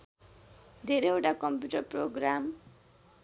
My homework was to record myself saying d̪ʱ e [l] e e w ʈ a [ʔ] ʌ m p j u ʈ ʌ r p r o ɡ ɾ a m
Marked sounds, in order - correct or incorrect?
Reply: incorrect: ɾ, incorrect: k

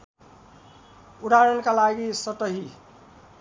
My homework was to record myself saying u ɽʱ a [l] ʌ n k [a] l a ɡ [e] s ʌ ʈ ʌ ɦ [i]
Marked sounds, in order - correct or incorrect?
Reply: incorrect: ɾ, correct, incorrect: i, correct

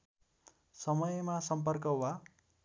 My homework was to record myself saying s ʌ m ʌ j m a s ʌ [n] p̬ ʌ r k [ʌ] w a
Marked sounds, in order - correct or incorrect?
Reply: incorrect: m, correct

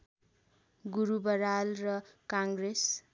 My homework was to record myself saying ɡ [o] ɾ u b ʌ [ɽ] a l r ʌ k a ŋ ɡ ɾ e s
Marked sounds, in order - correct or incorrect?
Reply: incorrect: u, incorrect: ɾ

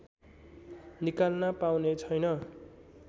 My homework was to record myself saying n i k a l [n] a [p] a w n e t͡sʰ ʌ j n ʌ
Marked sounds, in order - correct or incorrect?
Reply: correct, correct

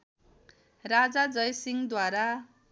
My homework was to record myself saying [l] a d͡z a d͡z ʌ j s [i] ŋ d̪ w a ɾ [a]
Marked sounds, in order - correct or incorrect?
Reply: incorrect: r, correct, correct

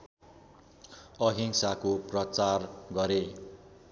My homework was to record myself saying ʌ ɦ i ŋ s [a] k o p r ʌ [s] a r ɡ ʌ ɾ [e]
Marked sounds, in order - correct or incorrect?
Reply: correct, incorrect: t͡s, correct

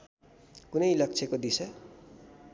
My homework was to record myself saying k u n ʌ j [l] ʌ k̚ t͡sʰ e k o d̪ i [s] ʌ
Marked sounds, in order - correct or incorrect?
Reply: correct, correct

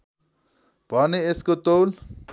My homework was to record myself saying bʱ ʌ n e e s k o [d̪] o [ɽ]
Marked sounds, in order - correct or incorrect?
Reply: incorrect: t̪, incorrect: l

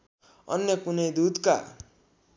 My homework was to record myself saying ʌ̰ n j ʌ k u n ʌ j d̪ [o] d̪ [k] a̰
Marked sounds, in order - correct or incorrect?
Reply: incorrect: u, correct

